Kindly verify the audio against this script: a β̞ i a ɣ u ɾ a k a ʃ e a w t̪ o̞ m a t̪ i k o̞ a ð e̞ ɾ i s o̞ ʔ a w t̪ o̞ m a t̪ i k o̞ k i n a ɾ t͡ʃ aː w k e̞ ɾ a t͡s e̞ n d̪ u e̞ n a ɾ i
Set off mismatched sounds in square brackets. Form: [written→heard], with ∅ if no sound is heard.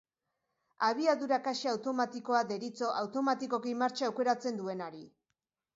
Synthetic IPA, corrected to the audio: a β̞ i a [ɣ→ð] u ɾ a k a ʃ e a w t̪ o̞ m a t̪ i k o̞ a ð e̞ ɾ i [s→t͡s] o̞ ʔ a w t̪ o̞ m a t̪ i k o̞ k i [n→m] a ɾ t͡ʃ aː w k e̞ ɾ a t͡s e̞ n d̪ u e̞ n a ɾ i